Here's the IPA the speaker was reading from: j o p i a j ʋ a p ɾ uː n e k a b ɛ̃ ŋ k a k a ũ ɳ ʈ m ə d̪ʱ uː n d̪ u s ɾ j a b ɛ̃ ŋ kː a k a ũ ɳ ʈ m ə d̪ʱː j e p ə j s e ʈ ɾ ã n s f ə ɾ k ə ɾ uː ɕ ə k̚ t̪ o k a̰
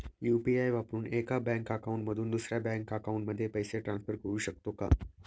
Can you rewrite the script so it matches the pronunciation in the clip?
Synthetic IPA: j u p i a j ʋ a p ɾ uː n e k a b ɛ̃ ŋ k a k a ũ ɳ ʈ m ə d̪ʱ uː n d̪ u s ɾ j a b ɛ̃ ŋ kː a k a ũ ɳ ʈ m ə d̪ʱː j e p ə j s e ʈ ɾ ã n s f ə ɾ k ə ɾ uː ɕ ə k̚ t̪ o k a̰